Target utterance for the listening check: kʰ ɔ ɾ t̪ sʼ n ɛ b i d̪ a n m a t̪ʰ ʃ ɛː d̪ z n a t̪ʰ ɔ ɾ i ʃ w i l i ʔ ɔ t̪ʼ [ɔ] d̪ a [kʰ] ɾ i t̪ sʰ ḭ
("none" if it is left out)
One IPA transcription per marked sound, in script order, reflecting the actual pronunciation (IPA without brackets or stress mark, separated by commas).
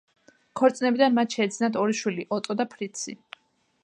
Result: ɔ, pʰ